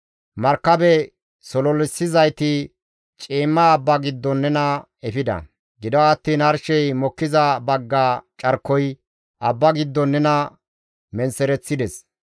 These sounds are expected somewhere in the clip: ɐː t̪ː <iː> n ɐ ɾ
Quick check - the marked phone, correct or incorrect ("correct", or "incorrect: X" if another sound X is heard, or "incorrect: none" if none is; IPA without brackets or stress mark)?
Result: correct